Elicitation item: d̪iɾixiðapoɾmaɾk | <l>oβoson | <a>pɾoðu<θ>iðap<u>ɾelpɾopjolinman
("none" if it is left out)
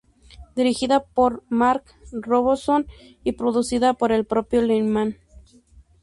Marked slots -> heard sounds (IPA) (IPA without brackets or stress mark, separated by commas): r, i, s, o